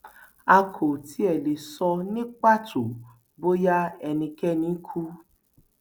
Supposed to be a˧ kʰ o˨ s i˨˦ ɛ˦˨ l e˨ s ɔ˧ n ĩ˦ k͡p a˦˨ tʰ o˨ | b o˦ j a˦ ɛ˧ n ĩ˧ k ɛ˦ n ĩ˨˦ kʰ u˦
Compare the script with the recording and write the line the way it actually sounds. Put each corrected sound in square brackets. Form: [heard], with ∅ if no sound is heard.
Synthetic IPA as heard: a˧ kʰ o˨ [t] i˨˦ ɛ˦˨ l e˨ s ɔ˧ n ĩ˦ k͡p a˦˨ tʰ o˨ | b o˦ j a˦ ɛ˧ n ĩ˧ k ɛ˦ n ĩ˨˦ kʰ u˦